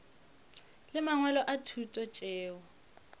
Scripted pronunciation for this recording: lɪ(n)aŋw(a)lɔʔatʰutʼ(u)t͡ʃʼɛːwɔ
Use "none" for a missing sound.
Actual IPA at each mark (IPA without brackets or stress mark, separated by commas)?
m, ɛ, ɔ